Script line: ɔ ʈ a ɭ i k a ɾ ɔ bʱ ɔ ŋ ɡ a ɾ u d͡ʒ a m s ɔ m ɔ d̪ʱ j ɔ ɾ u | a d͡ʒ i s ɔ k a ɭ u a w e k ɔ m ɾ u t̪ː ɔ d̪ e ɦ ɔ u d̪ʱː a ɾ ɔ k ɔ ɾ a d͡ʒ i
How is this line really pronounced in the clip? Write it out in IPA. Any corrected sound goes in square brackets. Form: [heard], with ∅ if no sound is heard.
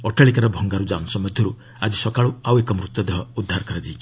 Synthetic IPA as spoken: ɔ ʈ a ɭ i k a ɾ ɔ bʱ ɔ ŋ ɡ a ɾ u d͡ʒ a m s ɔ m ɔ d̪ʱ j ɔ ɾ u | a d͡ʒ i s ɔ k a ɭ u a w e k ɔ m ɾ u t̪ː ɔ d̪ e ɦ ɔ u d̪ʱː a ɾ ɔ k ɔ ɾ a d͡ʒ i